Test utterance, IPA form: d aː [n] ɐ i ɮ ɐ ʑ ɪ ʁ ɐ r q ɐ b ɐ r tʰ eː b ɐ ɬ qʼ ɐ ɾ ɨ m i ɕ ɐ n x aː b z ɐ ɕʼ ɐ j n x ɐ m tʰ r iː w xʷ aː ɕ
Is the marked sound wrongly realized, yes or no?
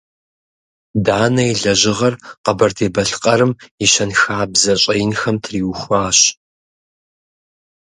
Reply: no